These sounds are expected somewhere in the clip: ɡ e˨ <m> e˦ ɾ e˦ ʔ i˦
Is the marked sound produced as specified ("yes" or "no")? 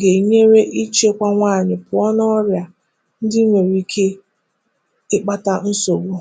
no